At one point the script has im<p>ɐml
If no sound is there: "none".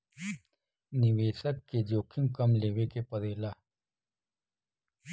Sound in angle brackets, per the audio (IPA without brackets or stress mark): k